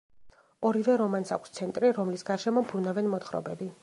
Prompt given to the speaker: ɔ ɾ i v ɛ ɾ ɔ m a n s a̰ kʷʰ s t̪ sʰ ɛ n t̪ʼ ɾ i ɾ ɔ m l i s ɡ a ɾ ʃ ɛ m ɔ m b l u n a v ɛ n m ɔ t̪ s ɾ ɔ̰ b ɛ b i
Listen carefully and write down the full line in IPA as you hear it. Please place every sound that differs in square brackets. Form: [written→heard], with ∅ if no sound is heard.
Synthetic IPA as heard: ɔ ɾ i v ɛ ɾ ɔ m a n s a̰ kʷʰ s t̪ sʰ ɛ n t̪ʼ ɾ i ɾ ɔ m l i s ɡ a ɾ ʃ ɛ m ɔ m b [l→ɾ] u n a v ɛ n m ɔ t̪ [s→χ] ɾ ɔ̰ b ɛ b i